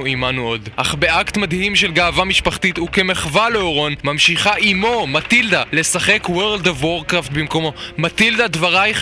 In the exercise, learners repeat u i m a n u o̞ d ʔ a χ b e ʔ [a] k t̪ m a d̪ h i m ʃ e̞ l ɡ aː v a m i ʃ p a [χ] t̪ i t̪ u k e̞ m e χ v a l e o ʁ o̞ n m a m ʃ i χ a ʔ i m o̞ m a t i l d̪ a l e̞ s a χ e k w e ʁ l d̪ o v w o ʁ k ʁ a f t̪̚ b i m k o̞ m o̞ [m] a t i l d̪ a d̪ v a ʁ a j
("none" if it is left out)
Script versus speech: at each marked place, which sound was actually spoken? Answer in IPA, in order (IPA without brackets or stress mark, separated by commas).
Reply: a, χ, m